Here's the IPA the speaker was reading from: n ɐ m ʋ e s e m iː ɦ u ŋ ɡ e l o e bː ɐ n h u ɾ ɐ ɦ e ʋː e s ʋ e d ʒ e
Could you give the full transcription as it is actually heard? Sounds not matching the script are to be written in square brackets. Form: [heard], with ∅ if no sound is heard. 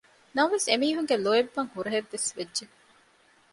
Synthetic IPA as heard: n ɐ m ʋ e s e m iː ɦ u ŋ ɡ e l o e bː ɐ [ŋ] h u ɾ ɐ ɦ e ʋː e s ʋ e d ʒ e